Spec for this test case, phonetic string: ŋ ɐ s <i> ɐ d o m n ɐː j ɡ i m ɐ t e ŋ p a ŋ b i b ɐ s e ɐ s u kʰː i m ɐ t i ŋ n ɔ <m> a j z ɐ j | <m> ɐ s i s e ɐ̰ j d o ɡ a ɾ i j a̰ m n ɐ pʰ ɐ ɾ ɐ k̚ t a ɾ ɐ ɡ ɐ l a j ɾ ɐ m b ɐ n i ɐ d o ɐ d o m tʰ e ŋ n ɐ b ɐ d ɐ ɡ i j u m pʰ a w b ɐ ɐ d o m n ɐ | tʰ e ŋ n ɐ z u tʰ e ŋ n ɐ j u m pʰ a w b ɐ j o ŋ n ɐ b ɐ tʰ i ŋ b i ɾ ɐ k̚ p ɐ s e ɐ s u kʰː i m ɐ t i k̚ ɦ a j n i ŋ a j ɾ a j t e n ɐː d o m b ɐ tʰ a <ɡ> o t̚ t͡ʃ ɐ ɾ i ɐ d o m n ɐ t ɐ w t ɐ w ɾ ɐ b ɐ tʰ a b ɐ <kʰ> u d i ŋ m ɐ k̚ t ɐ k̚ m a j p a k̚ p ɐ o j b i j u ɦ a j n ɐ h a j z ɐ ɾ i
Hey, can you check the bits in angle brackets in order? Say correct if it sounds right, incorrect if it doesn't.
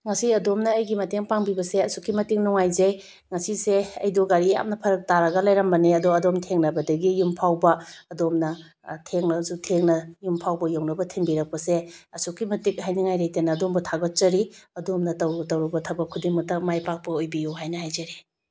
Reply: correct, incorrect: ŋ, incorrect: ŋ, correct, correct

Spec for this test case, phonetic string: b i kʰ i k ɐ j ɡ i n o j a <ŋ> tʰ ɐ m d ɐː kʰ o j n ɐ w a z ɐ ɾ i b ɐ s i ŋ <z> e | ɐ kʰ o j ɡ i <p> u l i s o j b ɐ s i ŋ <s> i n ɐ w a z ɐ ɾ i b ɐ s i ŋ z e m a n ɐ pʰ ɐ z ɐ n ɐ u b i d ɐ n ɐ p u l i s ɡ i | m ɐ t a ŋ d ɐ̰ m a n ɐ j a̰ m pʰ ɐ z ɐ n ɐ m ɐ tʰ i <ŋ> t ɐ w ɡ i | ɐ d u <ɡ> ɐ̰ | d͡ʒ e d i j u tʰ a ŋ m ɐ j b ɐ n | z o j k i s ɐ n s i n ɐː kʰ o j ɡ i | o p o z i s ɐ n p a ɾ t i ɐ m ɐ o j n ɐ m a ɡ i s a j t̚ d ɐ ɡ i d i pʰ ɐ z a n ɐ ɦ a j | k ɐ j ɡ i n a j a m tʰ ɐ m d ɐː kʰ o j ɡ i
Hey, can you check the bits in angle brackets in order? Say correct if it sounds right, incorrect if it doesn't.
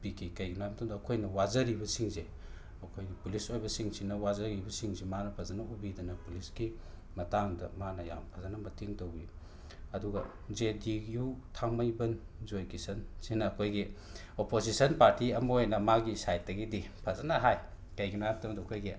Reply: incorrect: m, correct, correct, correct, correct, correct

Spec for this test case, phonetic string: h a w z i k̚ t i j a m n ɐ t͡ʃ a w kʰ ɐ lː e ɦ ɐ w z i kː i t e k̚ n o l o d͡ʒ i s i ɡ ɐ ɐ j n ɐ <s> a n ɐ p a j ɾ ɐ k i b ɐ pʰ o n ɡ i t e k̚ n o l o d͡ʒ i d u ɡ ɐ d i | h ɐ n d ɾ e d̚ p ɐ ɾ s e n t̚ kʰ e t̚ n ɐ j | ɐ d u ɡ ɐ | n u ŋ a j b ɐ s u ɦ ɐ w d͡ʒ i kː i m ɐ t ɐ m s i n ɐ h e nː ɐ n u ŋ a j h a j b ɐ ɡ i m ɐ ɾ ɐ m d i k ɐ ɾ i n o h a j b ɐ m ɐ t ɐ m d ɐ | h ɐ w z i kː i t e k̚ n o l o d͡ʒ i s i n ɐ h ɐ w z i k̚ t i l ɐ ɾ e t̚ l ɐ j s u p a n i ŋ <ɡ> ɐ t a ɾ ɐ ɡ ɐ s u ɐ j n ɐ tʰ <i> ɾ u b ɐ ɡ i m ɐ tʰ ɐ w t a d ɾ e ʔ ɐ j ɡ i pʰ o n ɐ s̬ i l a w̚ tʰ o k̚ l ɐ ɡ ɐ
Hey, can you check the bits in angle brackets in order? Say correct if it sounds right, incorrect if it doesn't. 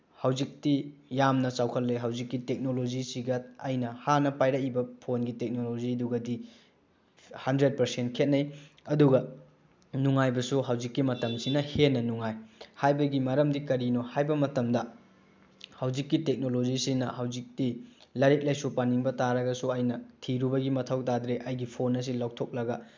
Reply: incorrect: h, incorrect: b, correct

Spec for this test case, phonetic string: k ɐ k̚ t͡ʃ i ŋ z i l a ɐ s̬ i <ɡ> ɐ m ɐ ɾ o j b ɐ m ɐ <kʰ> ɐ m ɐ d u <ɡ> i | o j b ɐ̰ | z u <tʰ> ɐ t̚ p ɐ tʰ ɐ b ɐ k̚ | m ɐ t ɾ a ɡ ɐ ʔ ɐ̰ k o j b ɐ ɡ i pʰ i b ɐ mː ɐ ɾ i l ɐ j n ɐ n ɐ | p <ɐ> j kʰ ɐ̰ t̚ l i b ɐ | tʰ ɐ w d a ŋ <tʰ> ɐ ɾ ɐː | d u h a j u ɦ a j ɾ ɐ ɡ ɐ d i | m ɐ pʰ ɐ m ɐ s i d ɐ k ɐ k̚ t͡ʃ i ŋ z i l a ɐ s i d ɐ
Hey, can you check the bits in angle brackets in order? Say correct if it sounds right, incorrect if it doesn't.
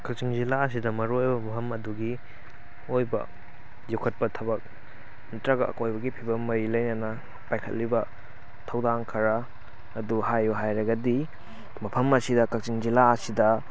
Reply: incorrect: d, incorrect: pʰ, correct, incorrect: kʰ, incorrect: a, incorrect: kʰ

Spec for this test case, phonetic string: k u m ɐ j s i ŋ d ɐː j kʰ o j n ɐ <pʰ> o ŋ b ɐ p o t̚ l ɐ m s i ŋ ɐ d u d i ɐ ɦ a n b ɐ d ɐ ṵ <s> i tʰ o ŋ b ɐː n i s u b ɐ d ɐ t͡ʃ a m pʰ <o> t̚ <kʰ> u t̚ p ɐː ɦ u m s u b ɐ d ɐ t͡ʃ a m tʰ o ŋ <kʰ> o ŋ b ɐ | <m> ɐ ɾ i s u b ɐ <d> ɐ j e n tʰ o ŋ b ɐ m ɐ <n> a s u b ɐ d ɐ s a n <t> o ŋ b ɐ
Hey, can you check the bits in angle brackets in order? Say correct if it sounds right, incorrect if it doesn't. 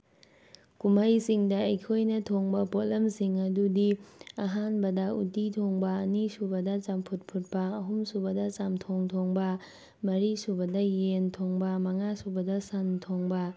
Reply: incorrect: tʰ, incorrect: t, incorrect: u, incorrect: pʰ, incorrect: tʰ, correct, correct, incorrect: ŋ, incorrect: tʰ

